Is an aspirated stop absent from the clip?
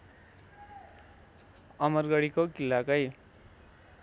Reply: yes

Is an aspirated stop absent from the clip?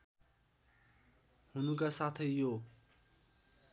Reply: no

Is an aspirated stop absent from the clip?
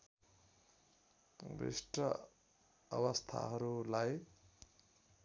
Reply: no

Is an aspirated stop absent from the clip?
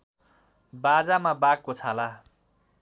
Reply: no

